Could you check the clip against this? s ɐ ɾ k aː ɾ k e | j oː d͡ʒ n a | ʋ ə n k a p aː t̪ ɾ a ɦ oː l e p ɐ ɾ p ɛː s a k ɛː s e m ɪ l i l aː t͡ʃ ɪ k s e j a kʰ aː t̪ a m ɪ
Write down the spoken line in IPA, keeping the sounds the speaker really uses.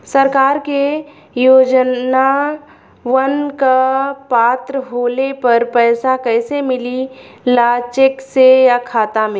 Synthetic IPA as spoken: s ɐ ɾ k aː ɾ k e | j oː d͡ʒ n a | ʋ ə n k a p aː t̪ ɾ ə ɦ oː l e p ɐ ɾ p ɛː s a k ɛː s e m ɪ l i l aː t͡ʃ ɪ k s e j a kʰ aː t̪ a m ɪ